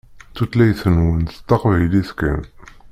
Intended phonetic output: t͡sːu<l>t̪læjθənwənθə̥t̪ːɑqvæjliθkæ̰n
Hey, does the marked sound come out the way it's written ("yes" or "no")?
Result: no